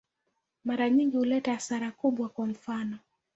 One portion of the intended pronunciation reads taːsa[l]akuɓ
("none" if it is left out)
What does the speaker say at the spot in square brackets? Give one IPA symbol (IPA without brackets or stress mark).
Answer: ɾ